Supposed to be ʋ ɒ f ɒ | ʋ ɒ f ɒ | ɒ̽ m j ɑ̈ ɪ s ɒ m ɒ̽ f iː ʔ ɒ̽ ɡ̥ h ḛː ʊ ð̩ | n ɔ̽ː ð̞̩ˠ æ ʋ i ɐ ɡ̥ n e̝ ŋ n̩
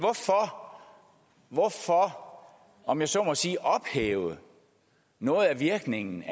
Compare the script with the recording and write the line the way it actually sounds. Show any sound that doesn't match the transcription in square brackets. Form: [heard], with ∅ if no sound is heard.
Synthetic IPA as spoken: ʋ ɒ f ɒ | ʋ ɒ f ɒ | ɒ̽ m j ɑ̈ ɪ s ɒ m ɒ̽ [s] iː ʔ ɒ̽ [b̥] h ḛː ʊ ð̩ | n ɔ̽ː ð̞̩ˠ æ ʋ i ɐ ɡ̥ n e̝ ŋ n̩